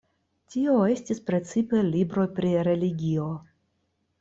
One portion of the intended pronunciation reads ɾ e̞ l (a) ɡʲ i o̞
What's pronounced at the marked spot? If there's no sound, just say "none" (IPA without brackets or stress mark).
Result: i